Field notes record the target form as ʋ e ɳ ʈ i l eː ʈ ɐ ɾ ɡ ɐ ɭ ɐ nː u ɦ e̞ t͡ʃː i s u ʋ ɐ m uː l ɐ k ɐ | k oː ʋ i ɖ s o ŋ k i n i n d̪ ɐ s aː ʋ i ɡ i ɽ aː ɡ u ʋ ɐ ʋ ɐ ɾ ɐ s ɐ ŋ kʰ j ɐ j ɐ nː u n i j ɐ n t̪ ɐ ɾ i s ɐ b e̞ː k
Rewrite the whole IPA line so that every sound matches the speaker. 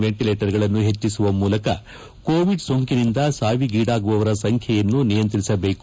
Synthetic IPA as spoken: ʋ e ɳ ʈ i l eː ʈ ɐ ɾ ɡ ɐ ɭ ɐ nː u ɦ e̞ t͡ʃː i s u ʋ ɐ m uː l ɐ k ɐ | k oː ʋ i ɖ s o ŋ k i n i n d̪ ɐ s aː ʋ i ɡ iː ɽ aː ɡ u ʋ ɐ ʋ ɐ ɾ ɐ s ɐ ŋ kʰ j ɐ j ɐ nː u n i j ɐ n t̪ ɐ ɾ i s ɐ b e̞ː k